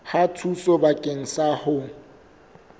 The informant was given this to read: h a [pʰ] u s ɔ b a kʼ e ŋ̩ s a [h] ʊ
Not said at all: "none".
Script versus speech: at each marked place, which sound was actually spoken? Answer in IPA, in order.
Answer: tʰ, h

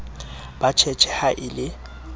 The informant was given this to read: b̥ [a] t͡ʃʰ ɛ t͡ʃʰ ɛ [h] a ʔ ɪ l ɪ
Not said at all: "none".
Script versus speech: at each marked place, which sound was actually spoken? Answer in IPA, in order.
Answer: a, h

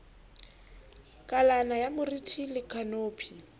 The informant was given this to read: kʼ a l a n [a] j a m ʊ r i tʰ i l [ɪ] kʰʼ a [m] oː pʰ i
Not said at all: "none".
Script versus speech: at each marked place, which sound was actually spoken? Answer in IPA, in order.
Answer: a, ɪ, n

